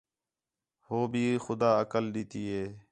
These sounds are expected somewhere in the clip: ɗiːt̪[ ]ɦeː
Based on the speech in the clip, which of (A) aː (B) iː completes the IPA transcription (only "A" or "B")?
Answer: B